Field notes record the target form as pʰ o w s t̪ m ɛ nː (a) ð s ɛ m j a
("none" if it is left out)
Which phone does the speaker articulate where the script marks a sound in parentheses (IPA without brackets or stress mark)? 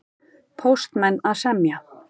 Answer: a